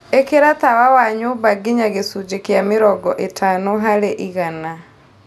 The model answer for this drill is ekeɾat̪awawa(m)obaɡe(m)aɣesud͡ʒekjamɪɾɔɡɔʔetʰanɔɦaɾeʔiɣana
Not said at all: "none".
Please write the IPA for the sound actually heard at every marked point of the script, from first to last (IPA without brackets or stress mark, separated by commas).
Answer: ɲ, ɲ